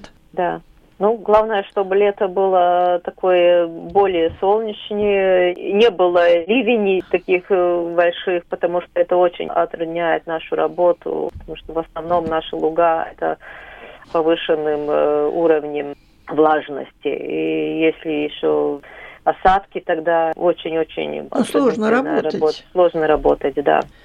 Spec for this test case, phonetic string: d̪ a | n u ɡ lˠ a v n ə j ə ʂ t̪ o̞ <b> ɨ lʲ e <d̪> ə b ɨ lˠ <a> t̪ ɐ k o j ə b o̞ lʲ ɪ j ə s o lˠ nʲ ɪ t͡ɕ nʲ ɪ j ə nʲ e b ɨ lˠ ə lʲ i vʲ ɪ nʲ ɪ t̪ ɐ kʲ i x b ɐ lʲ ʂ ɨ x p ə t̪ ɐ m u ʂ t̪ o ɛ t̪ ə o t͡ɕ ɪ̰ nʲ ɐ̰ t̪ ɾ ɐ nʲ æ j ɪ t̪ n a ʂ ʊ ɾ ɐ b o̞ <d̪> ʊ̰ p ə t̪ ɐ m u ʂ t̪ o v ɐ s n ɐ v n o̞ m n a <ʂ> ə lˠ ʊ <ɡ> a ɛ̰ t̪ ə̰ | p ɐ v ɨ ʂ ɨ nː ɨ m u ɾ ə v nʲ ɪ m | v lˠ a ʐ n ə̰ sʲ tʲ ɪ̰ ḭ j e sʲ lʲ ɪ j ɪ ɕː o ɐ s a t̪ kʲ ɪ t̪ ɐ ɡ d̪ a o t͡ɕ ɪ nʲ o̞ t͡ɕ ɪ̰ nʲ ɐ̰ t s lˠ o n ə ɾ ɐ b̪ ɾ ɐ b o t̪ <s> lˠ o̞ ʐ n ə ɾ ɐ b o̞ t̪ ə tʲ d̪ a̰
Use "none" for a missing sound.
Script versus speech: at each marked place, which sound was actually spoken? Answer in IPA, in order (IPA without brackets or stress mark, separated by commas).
b, t̪, ə, t̪, ʂ, ɡ, s